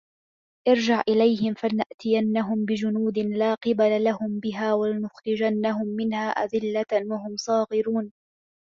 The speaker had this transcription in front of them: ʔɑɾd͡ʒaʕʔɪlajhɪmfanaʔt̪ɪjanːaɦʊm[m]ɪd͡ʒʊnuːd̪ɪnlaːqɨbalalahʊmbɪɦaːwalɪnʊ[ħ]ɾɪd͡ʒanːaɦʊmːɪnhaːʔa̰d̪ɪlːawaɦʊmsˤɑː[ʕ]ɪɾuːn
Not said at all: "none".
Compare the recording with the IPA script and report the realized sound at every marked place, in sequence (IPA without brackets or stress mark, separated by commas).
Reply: b, x, ɣ